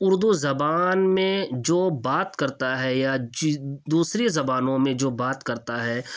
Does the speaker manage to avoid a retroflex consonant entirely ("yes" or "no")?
yes